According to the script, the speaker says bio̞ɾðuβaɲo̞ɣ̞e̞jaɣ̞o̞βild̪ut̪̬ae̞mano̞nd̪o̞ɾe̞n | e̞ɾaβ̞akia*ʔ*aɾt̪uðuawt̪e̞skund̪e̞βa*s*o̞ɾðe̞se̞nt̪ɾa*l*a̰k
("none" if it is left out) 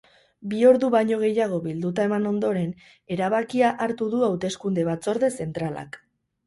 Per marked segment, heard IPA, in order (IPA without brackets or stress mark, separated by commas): ʔ, t͡s, l